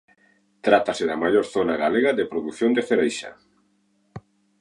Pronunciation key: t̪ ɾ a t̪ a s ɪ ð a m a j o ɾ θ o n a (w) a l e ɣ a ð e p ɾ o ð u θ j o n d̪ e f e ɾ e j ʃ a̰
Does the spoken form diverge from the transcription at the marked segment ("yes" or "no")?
yes